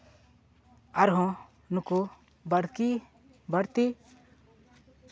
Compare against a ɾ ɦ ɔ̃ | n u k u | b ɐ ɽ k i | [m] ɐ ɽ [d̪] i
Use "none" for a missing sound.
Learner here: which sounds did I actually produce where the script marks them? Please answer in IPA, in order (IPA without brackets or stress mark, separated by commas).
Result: b, t̪